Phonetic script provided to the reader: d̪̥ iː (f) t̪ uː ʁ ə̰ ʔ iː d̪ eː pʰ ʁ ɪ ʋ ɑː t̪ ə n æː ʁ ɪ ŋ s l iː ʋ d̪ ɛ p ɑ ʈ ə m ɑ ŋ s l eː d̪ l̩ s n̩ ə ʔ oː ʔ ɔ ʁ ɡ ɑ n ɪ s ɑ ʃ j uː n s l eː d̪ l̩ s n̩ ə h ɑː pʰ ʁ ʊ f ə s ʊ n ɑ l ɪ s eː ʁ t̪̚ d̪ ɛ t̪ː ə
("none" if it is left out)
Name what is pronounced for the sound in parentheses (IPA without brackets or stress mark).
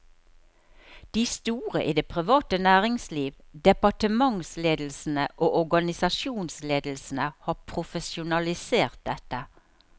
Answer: s